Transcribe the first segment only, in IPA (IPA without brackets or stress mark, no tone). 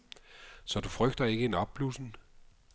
s